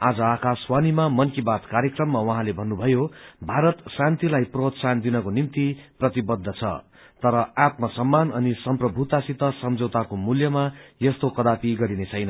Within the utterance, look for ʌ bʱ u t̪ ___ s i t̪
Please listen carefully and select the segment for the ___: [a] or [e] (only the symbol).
a